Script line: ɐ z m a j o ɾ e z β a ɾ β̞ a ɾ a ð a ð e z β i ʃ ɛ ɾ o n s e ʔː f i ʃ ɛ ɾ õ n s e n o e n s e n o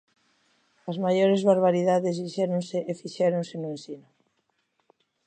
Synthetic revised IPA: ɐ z m a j o ɾ e z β a ɾ β̞ a ɾ i ð a ð e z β i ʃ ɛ ɾ o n s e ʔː f i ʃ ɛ ɾ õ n s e n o e n s i n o